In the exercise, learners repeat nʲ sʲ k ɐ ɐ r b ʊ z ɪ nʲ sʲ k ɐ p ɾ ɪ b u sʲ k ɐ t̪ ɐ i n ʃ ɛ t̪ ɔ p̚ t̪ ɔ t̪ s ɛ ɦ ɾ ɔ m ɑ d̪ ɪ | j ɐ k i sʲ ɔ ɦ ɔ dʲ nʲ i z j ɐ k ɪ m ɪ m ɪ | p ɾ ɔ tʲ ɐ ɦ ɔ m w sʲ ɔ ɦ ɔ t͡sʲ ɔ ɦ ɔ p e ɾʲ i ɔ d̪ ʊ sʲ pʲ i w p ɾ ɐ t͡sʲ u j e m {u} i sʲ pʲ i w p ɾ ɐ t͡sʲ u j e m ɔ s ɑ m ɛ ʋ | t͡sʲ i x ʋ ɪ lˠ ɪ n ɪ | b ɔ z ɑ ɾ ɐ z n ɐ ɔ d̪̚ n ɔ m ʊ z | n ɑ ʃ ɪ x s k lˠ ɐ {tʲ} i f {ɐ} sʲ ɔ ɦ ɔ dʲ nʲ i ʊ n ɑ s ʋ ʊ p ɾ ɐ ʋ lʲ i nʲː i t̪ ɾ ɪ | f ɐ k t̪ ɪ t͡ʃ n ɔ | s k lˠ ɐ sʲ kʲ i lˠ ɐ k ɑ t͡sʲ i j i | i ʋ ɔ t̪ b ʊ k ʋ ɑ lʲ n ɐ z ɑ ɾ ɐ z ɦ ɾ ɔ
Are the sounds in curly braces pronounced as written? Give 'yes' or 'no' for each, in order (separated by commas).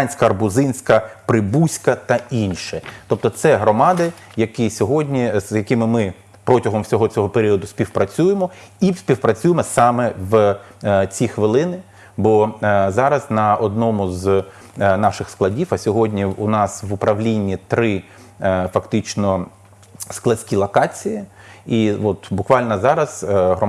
no, no, yes